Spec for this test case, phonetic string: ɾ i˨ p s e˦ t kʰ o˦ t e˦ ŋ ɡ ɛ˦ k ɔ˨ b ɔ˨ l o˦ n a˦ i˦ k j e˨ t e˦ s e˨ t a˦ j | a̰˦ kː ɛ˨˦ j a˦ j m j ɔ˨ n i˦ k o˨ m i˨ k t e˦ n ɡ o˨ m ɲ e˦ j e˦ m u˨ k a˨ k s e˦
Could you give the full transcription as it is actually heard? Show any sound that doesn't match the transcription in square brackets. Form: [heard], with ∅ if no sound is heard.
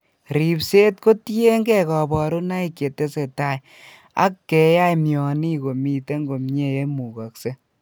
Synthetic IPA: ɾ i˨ p s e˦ t [k] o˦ t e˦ ŋ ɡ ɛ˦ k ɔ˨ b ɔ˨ [ɾ] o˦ n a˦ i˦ k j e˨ t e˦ s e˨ t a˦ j | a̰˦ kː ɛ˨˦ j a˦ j m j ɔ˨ n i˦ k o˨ m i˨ [∅] t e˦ [ŋ] ɡ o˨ m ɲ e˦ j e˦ m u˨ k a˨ k s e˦